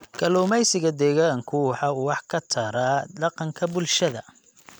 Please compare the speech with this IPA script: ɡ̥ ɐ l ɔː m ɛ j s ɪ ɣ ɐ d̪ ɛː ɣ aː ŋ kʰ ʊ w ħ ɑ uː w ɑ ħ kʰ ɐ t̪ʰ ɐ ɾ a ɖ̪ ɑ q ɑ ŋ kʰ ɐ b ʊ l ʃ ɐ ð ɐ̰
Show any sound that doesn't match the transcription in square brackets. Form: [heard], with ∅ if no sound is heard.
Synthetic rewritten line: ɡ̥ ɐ l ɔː m ɛ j s ɪ ɣ ɐ d̪ ɛː ɣ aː ŋ kʰ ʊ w ħ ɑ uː w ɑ ħ kʰ ɐ t̪ʰ ɐ ɾ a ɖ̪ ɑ q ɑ ŋ kʰ ɐ b ʊ l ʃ ɐ ð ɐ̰